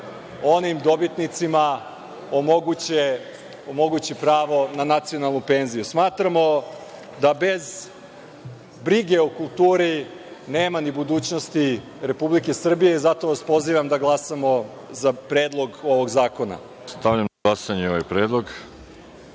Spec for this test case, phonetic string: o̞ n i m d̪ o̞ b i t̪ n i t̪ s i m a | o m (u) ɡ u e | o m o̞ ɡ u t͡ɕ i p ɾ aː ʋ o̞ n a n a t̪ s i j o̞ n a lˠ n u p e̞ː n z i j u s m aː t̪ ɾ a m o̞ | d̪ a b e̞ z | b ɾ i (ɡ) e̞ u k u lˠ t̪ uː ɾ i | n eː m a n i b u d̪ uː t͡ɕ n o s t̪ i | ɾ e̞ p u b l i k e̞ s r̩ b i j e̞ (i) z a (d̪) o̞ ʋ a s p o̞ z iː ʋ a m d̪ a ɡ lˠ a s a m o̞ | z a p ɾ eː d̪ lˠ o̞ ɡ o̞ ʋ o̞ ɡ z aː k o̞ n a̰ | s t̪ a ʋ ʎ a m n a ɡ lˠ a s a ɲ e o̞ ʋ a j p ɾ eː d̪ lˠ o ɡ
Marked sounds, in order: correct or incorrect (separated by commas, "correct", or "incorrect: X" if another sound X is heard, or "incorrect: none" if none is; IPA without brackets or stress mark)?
incorrect: o, correct, correct, incorrect: t̪